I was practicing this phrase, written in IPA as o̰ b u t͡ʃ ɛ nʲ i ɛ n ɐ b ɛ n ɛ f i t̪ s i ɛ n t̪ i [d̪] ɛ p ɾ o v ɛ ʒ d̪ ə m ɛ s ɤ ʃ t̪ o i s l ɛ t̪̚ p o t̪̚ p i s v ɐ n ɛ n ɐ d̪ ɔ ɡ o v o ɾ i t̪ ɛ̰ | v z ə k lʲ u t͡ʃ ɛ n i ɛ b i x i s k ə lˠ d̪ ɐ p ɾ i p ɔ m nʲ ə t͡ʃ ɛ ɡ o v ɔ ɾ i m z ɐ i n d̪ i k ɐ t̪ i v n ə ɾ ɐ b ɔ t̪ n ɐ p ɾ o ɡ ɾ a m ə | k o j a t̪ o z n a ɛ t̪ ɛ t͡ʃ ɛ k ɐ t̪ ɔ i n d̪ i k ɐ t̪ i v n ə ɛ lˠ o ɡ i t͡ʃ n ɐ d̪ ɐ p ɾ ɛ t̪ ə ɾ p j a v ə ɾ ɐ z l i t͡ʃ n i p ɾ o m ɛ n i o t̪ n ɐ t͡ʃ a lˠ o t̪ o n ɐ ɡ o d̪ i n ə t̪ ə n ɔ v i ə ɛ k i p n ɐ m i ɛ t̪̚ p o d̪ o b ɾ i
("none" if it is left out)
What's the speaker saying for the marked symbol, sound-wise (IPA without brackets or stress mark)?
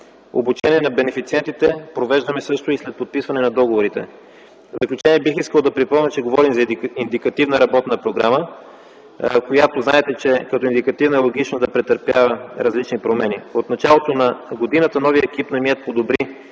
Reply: t̪